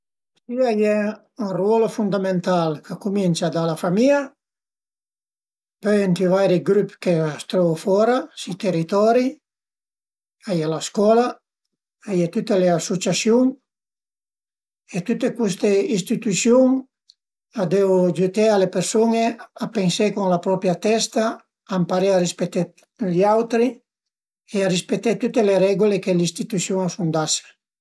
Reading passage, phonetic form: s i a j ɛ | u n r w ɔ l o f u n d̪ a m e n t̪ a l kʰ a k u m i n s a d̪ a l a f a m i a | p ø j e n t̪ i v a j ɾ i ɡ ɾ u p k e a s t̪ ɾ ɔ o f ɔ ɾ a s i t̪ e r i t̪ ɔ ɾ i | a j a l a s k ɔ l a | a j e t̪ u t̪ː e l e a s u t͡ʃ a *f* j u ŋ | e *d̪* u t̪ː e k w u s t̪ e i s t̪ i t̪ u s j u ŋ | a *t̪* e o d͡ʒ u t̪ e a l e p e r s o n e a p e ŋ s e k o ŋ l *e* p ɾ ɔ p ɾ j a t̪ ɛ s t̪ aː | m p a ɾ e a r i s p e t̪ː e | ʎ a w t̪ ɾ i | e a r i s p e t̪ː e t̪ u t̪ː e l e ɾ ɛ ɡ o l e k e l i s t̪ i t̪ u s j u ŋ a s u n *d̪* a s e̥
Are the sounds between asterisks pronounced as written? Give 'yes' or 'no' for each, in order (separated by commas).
no, no, no, no, yes